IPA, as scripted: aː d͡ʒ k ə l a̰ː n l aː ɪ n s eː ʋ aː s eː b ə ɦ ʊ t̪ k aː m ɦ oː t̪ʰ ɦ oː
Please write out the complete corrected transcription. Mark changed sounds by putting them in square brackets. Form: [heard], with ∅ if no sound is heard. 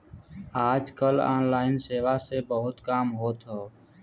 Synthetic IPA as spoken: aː d͡ʒ k ə l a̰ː n l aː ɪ n s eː ʋ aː s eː b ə ɦ ʊ t̪ k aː m ɦ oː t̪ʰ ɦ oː